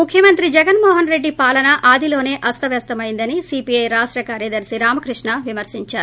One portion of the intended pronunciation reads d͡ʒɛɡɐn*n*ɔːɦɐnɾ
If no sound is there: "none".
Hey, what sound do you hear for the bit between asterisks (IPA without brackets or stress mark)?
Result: m